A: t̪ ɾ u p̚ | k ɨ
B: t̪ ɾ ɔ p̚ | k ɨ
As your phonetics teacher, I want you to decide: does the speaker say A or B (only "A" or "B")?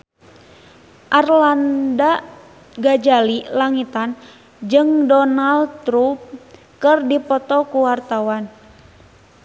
A